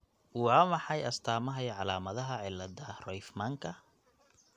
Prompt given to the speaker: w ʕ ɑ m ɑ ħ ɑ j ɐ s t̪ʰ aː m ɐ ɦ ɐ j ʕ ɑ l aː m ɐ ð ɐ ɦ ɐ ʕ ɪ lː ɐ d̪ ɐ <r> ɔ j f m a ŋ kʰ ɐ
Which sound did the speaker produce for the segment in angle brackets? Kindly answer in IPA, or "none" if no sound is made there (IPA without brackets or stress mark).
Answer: r